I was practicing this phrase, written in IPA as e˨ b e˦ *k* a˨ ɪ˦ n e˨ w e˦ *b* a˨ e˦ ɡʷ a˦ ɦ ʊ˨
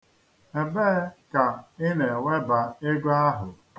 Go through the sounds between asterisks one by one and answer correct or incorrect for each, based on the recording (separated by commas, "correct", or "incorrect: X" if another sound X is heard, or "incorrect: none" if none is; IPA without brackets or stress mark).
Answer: correct, correct